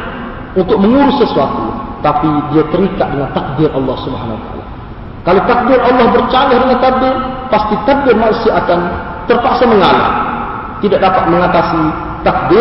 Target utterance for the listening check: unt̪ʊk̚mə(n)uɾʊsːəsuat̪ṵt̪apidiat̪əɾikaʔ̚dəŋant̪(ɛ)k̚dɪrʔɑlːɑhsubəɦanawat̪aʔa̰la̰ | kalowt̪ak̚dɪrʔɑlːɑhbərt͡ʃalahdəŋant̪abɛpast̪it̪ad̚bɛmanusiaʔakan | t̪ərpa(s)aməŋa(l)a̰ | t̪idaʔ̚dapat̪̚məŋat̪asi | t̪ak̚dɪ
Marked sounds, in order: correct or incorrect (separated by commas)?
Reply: incorrect, incorrect, correct, correct